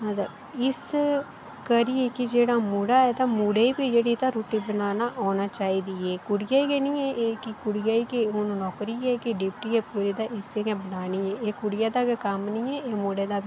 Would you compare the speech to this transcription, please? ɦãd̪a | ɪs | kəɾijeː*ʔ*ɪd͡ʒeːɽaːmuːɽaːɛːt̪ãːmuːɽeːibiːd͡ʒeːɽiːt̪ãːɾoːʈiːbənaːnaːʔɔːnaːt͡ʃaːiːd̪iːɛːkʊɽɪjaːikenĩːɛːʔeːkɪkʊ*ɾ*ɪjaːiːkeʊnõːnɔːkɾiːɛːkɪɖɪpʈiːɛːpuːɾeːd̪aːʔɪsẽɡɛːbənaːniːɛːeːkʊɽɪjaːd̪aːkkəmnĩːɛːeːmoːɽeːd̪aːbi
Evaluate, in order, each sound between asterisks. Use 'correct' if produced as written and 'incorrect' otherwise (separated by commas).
incorrect, incorrect